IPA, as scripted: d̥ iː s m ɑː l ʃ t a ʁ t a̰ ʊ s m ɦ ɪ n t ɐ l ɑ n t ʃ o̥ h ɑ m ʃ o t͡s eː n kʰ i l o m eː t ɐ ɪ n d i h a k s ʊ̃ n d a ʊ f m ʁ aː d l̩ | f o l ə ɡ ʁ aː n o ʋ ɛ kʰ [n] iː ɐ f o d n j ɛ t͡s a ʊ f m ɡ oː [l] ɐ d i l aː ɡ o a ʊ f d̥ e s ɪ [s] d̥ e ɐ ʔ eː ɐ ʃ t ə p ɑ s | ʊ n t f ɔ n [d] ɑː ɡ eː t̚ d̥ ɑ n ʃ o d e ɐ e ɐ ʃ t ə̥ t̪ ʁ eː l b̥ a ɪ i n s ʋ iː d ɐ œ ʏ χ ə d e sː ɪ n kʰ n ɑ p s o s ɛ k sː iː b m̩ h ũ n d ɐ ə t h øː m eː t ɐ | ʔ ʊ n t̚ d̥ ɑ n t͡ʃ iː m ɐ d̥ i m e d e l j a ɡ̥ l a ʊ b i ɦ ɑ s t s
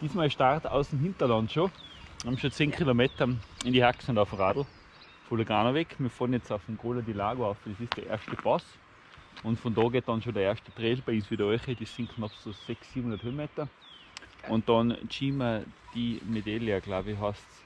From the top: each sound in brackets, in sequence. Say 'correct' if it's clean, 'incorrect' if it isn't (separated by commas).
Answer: incorrect, correct, correct, correct